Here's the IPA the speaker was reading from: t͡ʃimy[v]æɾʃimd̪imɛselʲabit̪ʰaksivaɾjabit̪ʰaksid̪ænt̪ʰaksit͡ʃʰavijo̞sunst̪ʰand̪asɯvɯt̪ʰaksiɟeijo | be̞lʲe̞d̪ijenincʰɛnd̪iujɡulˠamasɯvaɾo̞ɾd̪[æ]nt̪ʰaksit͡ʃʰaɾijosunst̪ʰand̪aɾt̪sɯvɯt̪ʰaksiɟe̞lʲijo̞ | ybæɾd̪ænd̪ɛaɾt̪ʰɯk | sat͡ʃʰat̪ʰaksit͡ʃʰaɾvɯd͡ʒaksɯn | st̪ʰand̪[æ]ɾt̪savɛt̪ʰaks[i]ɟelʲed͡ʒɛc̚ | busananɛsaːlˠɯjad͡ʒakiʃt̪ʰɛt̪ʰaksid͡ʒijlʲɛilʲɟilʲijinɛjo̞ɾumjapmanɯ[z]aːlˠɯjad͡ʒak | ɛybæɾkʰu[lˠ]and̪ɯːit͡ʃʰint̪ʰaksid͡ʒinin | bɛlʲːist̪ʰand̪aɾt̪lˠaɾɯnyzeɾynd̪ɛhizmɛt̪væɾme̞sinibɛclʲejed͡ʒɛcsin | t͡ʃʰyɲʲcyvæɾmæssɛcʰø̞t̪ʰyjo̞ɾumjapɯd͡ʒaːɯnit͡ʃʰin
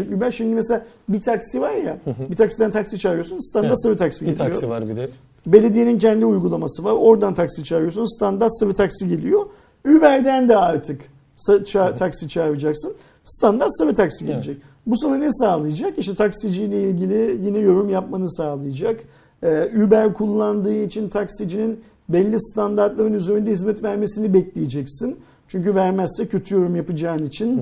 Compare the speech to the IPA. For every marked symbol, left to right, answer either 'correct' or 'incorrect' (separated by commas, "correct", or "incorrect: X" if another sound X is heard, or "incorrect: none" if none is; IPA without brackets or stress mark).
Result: incorrect: b, incorrect: a, incorrect: a, correct, incorrect: s, incorrect: lˠː